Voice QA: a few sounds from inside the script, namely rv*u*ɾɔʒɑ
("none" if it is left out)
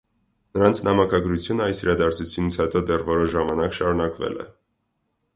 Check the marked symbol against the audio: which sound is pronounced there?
ɔ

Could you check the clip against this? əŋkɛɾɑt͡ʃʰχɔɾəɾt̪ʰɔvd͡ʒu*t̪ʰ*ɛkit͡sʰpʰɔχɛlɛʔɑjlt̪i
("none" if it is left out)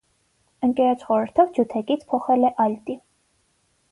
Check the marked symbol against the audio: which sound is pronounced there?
t̪ʰ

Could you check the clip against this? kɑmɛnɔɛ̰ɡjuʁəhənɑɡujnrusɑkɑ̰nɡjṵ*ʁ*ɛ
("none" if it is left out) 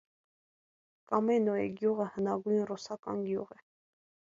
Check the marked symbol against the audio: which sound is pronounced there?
ʁ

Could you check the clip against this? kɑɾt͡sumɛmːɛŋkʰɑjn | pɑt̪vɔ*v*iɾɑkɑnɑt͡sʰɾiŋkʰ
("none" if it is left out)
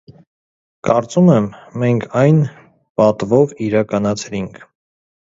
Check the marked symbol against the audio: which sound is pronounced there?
v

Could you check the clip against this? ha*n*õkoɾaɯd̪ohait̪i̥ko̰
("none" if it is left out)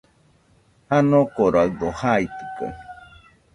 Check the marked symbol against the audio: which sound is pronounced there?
n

